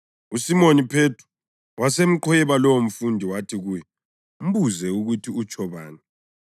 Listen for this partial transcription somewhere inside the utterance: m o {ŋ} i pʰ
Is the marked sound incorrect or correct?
incorrect